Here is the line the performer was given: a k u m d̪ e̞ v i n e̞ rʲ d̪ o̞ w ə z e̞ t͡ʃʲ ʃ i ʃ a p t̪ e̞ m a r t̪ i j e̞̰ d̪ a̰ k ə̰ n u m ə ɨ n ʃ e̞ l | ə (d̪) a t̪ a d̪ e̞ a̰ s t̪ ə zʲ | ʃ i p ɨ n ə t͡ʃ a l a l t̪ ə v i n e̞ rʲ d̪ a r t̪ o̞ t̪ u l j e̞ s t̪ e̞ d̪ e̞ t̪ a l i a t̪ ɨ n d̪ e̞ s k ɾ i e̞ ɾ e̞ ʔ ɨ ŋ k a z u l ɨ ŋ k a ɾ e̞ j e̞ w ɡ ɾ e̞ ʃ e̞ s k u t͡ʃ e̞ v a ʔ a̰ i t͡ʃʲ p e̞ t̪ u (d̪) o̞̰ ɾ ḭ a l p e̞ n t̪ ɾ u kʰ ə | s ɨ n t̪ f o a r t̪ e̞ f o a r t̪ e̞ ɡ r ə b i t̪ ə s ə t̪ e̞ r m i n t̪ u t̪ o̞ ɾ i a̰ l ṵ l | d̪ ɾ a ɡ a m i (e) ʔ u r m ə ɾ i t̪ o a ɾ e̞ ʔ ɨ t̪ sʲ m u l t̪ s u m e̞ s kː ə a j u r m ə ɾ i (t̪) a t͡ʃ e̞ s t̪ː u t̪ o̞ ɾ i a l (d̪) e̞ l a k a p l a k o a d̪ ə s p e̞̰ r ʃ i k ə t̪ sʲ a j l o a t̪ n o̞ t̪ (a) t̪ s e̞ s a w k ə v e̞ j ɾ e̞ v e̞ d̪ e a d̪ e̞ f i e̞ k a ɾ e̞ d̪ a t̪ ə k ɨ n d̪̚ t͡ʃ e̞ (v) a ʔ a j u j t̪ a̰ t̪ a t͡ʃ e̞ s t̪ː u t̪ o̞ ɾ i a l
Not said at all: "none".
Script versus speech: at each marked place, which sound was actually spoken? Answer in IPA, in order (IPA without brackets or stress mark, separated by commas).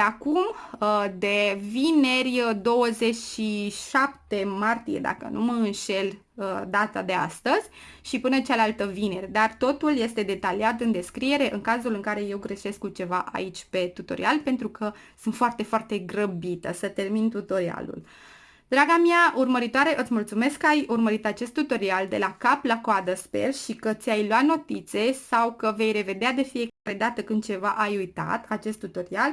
d̪, t̪, a, t̪, d̪, i, v